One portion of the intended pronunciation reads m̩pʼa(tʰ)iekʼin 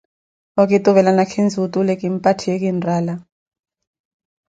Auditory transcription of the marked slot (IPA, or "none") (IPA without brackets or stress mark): tʰ